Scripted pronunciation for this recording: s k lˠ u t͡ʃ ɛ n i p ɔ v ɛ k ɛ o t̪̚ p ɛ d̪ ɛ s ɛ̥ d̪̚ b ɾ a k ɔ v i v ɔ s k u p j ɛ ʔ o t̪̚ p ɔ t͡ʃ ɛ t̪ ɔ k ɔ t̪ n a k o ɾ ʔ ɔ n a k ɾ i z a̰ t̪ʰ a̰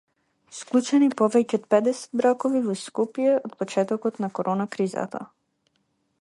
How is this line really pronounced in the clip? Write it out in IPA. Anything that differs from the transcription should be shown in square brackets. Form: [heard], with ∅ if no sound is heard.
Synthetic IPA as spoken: s k lˠ u t͡ʃ ɛ n i p ɔ v ɛ [c] ɛ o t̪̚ p ɛ d̪ ɛ s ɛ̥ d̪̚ b ɾ a k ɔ v i v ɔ s k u p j ɛ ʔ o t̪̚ p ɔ t͡ʃ ɛ t̪ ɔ k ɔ t̪ n a k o ɾ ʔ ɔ n a k ɾ i z a̰ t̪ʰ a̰